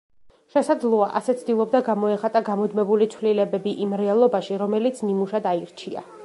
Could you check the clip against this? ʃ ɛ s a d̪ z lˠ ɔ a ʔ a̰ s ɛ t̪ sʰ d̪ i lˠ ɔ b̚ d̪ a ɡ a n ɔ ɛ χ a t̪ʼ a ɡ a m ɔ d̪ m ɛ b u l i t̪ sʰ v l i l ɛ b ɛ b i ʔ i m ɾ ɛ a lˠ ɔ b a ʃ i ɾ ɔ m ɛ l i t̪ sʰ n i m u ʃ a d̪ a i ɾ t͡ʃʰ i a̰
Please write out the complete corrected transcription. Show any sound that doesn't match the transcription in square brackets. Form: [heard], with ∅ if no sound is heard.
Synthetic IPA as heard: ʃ ɛ s a d̪ z lˠ ɔ a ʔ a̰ s ɛ t̪ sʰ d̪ i lˠ ɔ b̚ d̪ a ɡ a [m] ɔ ɛ χ a t̪ʼ a ɡ a m ɔ d̪ m ɛ b u l i t̪ sʰ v l i l ɛ b ɛ b i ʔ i m ɾ ɛ a lˠ ɔ b a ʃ i ɾ ɔ m ɛ l i t̪ sʰ n i m u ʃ a d̪ a i ɾ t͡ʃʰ i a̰

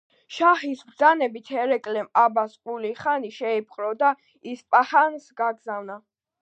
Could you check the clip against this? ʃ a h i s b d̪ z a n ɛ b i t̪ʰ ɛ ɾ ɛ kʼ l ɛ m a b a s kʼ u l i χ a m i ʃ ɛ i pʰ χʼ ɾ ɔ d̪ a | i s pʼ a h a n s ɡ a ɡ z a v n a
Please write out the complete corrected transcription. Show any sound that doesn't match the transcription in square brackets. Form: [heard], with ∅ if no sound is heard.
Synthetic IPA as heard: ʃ a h i s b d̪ z a n ɛ b i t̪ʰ ɛ ɾ ɛ kʼ l ɛ m a b a s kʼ u l i χ a [n] i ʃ ɛ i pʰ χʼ ɾ ɔ d̪ a | i s pʼ a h a n s ɡ a ɡ z a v n a

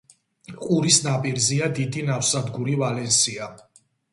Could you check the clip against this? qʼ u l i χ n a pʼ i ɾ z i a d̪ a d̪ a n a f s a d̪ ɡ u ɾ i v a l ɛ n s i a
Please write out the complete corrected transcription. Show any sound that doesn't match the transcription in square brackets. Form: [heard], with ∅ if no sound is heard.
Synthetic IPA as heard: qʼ u [ɾ] i [s] n a pʼ i ɾ z i a d̪ [i] d̪ [i] n a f s a d̪ ɡ u ɾ i v a l ɛ n s i a

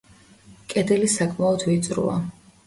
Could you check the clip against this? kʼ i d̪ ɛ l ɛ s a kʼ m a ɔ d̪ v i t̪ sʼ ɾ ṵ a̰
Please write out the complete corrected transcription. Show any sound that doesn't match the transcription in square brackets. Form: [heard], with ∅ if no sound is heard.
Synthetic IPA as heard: kʼ [ɛ] d̪ ɛ l [i] s a kʼ m a ɔ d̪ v i t̪ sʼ ɾ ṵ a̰

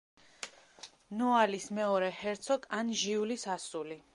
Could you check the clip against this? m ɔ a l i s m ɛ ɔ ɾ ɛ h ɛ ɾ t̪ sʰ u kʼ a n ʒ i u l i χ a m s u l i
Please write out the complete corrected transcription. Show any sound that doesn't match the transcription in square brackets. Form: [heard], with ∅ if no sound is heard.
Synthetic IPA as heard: [n] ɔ a l i s m ɛ ɔ ɾ ɛ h ɛ ɾ t̪ sʰ [ɔ] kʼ a n ʒ i u l i [s] a [∅] s u l i

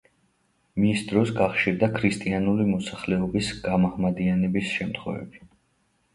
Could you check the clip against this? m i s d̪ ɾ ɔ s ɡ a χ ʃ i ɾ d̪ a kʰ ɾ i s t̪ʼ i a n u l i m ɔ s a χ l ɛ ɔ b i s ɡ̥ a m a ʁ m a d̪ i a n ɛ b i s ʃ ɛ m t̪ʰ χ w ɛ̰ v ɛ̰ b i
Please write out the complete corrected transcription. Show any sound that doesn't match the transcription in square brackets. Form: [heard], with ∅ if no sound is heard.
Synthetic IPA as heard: m i s d̪ ɾ ɔ s ɡ a χ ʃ i ɾ d̪ a kʰ ɾ i s t̪ʼ i a n u l i m ɔ s a χ l ɛ ɔ b i s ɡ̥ a m a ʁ m a d̪ i a n ɛ b i s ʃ ɛ m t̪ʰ χ w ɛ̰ v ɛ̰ b i

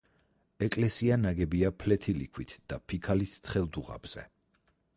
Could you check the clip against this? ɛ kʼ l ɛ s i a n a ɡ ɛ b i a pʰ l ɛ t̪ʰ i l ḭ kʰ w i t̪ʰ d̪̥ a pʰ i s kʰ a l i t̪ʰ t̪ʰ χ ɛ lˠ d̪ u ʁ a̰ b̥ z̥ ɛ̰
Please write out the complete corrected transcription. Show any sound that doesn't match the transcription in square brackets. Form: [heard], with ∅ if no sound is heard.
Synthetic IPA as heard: ɛ kʼ l ɛ s i a n a ɡ ɛ b i a pʰ l ɛ t̪ʰ i l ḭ kʰ w i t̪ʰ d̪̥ a pʰ i [∅] kʰ a l i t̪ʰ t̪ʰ χ ɛ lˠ d̪ u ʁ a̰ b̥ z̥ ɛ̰

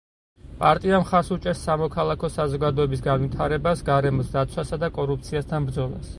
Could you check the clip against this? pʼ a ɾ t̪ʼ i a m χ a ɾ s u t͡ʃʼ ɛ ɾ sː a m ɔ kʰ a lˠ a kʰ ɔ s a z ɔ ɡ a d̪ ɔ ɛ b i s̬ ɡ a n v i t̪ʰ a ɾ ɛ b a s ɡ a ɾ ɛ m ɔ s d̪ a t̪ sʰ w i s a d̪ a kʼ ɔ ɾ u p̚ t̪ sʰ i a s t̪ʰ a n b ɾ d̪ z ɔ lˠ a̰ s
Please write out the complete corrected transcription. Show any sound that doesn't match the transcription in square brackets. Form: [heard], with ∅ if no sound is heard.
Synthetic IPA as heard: pʼ a ɾ t̪ʼ i a m χ a ɾ s u t͡ʃʼ ɛ ɾ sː a m ɔ kʰ a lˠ a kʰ ɔ s a z ɔ ɡ a d̪ ɔ ɛ b i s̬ ɡ a n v i t̪ʰ a ɾ ɛ b a s ɡ a ɾ ɛ m ɔ s d̪ a t̪ sʰ w [a] s a d̪ a kʼ ɔ ɾ u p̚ t̪ sʰ i a s t̪ʰ a n b ɾ d̪ z ɔ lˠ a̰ s

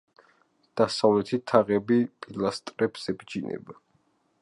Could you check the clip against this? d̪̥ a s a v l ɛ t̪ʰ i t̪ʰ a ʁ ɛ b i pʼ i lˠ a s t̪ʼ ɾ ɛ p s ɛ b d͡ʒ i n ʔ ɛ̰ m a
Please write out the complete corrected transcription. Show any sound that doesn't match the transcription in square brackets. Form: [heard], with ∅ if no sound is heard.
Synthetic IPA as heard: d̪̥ a s a v l ɛ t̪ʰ i t̪ʰ a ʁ ɛ b i pʼ i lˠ a s t̪ʼ ɾ ɛ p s ɛ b d͡ʒ i n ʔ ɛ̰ [b] a

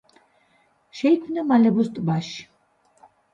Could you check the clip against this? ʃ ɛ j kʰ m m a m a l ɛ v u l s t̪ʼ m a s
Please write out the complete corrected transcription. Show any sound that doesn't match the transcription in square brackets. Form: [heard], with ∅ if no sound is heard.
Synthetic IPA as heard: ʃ ɛ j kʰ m [n] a m a l ɛ [b] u [∅] s t̪ʼ [b] a [ʃ]

